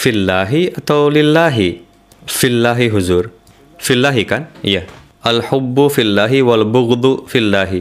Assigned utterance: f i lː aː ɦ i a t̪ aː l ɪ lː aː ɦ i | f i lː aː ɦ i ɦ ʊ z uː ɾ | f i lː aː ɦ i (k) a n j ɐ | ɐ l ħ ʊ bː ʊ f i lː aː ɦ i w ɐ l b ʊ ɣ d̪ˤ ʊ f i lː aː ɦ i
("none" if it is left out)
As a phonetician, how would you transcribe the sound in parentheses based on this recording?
k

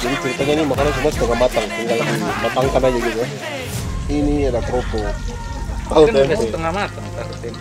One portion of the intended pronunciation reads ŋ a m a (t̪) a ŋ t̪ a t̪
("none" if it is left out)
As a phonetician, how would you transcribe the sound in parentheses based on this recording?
t̪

